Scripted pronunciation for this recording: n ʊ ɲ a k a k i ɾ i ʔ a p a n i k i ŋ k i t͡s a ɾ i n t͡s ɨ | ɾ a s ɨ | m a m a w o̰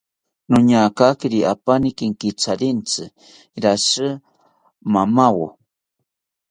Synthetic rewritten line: n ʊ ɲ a k a k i ɾ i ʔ a p a n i k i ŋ k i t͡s a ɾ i n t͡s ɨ | ɾ a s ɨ | m a m a w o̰

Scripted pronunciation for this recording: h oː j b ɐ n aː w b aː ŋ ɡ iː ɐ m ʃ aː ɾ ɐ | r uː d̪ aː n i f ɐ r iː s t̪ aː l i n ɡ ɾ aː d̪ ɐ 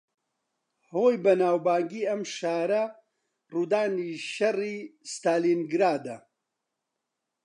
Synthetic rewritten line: h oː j b ɐ n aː w b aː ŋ ɡ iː ɐ m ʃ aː ɾ ɐ | r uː d̪ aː n i ʃ ɐ r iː s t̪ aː l i n ɡ ɾ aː d̪ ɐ

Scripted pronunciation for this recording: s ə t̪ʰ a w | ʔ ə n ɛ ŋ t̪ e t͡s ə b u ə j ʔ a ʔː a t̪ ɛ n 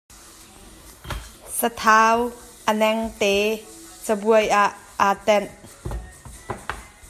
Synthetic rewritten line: s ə t̪ʰ a w | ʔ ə n ɛ ŋ t̪ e t͡s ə b u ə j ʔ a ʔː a t̪ ɛ n

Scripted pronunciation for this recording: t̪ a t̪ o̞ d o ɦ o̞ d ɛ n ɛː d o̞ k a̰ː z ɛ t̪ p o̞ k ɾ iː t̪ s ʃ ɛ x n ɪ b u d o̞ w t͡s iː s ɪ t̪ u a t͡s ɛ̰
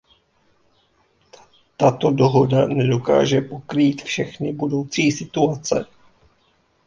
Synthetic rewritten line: t̪ a t̪ o̞ d o ɦ o̞ d a n ɛ d o̞ k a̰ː ʒ ɛ p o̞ k ɾ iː t̪ f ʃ ɛ x n ɪ b u d o̞ w t͡s iː s ɪ t̪ u a t͡s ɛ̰

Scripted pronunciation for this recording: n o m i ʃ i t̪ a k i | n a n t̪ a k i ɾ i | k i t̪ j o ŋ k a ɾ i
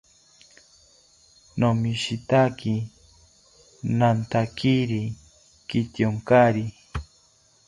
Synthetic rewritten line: n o m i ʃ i t̪ a k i | n a n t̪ a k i ɾ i | k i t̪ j o ŋ k a ɾ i

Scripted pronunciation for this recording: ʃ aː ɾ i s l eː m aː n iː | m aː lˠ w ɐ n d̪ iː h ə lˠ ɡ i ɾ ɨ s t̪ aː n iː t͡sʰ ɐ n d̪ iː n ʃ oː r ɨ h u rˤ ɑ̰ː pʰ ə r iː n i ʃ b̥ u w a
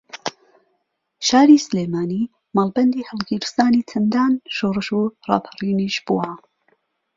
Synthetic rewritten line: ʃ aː ɾ i s l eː m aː n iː | m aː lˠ b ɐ n d̪ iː h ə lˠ ɡ i ɾ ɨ s t̪ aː n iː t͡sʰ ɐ n d̪ aː n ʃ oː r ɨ ʃ u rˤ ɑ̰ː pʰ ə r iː n i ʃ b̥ u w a

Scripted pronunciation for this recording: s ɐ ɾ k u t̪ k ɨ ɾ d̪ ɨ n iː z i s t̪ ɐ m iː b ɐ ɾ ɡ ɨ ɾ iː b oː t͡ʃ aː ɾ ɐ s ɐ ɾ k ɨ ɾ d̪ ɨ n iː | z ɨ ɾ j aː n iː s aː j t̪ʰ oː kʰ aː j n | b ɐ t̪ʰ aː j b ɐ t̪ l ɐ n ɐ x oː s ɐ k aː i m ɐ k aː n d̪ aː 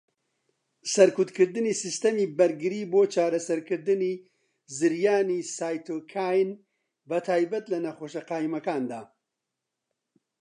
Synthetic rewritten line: s ɐ ɾ k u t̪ k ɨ ɾ d̪ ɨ n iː s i s t̪ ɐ m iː b ɐ ɾ ɡ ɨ ɾ iː b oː t͡ʃ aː ɾ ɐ s ɐ ɾ k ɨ ɾ d̪ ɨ n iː | z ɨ ɾ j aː n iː s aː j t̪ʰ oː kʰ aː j n | b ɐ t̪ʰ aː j b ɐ t̪ l ɐ n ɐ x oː ʃ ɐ q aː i m ɐ k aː n d̪ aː

